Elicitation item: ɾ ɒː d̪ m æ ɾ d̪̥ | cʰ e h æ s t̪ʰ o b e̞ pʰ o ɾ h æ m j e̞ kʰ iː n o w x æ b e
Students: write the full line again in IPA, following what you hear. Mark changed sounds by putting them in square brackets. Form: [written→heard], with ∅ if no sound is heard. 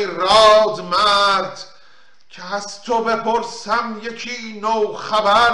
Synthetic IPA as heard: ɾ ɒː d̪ m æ ɾ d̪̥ | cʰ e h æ s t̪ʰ o b e̞ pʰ o ɾ [h→s] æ m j e̞ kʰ iː n o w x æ b [e→æ]